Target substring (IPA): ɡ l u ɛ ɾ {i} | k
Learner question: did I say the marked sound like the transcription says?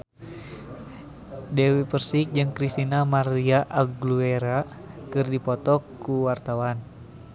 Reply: no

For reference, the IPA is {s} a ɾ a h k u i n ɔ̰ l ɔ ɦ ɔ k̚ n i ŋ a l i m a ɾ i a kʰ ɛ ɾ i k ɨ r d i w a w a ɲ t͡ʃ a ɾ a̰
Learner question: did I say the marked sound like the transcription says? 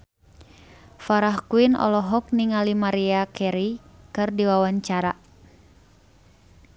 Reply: no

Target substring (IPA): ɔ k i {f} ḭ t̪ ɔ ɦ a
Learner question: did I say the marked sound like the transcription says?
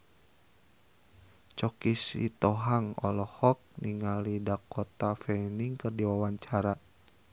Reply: no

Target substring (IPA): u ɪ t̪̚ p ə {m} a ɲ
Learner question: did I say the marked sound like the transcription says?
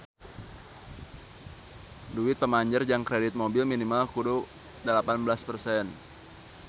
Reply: yes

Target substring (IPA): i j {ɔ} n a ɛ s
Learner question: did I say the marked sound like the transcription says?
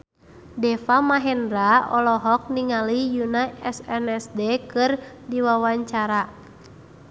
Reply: no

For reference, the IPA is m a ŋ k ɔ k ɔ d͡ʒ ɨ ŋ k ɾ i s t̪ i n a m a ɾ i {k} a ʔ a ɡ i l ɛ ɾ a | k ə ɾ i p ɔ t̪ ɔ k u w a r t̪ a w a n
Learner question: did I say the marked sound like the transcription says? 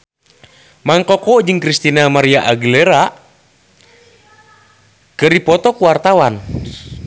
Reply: no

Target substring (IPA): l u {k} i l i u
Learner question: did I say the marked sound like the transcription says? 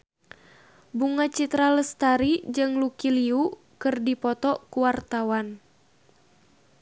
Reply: yes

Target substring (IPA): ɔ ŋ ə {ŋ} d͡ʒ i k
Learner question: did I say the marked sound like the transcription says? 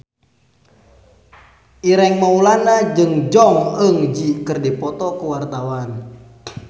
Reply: yes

